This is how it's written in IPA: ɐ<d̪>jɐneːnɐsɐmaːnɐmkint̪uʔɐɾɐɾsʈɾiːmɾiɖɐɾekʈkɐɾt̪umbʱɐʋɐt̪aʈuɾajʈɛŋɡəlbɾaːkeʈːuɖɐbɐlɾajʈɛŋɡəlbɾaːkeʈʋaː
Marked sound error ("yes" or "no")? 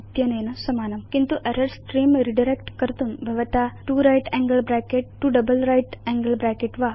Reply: yes